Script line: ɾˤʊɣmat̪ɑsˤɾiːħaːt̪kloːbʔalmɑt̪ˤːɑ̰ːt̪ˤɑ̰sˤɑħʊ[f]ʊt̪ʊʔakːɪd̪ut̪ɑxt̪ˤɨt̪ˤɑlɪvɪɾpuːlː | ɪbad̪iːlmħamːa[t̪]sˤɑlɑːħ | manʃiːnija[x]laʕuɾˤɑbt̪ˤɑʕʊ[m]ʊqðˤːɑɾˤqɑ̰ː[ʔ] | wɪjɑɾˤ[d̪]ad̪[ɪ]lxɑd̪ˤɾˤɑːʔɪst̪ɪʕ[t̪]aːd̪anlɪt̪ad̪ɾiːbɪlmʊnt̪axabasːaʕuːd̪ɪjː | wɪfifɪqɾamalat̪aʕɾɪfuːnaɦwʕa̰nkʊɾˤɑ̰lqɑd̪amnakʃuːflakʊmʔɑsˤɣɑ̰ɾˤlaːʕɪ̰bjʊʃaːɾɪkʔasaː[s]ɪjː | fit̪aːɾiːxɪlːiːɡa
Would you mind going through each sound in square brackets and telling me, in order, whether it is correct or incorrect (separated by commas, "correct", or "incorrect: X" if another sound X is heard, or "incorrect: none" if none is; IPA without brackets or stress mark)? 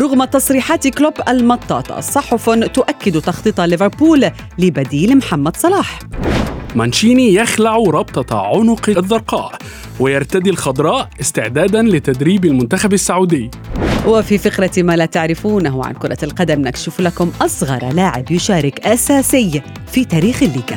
correct, incorrect: d̪, correct, incorrect: n, correct, incorrect: t̪, incorrect: i, incorrect: d̪, correct